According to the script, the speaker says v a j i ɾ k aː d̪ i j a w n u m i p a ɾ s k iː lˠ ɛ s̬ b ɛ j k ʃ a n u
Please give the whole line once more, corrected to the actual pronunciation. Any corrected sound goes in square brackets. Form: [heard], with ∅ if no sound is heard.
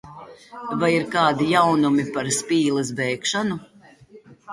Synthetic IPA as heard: v a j i ɾ k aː d̪ i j a w n u m i p a ɾ s [p] iː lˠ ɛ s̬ b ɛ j k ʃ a n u

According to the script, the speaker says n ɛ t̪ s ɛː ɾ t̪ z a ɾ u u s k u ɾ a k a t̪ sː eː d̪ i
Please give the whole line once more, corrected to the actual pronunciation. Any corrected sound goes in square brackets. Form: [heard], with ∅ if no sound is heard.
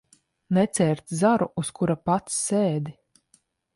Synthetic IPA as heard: n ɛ t̪ s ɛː ɾ t̪ z a ɾ u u s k u ɾ a [p] a t̪ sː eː d̪ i

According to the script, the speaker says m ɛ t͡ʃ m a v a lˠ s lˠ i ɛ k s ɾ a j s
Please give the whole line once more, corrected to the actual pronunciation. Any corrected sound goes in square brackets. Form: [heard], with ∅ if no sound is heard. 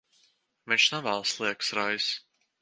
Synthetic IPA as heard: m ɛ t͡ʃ [n] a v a lˠ s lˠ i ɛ k s ɾ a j s

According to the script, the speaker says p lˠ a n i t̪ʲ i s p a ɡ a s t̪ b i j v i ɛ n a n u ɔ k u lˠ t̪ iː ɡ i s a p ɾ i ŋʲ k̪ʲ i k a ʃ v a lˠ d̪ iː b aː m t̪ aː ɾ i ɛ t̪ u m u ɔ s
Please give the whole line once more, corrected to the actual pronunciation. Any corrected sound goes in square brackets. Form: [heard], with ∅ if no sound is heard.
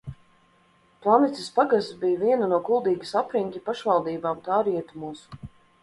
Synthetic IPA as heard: p lˠ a n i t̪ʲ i s p a ɡ a s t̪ b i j v i ɛ n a n u ɔ k u lˠ [d̪] iː ɡ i s a p ɾ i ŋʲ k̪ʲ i [p] a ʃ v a lˠ d̪ iː b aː m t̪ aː ɾ i ɛ t̪ u m u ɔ s

